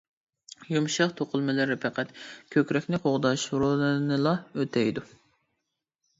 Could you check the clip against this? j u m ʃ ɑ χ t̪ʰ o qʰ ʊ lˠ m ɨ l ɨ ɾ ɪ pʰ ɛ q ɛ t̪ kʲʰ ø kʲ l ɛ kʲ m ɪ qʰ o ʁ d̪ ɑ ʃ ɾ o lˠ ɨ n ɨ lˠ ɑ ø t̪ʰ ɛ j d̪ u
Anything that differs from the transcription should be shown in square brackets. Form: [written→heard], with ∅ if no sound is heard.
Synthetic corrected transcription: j u m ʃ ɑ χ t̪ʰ o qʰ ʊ lˠ m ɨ l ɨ ɾ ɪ pʰ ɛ q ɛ t̪ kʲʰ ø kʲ [l→ɾ] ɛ kʲ [m→n] ɪ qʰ o ʁ d̪ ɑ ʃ ɾ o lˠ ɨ n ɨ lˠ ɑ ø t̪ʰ ɛ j d̪ u